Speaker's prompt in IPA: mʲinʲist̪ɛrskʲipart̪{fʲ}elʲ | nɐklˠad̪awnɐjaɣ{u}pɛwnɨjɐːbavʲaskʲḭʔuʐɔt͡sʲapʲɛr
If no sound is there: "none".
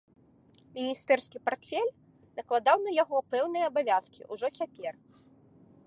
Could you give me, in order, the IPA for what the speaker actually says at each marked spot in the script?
fʲ, ɔ

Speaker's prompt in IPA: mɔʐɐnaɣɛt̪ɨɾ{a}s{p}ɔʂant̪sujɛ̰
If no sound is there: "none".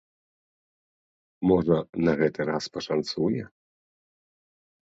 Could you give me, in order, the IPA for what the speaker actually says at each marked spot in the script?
a, p

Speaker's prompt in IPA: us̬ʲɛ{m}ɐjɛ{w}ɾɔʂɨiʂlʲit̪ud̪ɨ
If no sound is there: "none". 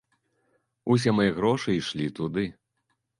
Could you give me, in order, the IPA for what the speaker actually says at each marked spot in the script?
m, ɣ

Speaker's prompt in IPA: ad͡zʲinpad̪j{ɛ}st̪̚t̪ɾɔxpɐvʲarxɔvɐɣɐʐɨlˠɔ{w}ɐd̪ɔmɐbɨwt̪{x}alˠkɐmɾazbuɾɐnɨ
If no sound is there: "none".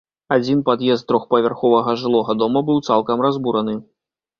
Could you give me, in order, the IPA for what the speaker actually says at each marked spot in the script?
ɛ, ɣ, s

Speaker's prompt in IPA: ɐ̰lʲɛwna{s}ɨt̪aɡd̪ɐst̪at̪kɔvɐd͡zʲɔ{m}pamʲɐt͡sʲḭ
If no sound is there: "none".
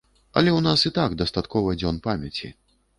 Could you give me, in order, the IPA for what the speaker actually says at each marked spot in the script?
s, n

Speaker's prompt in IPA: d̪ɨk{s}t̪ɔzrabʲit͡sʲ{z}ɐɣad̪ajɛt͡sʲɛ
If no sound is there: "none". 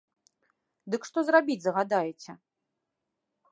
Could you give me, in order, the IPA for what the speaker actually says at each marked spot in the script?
ʂ, z

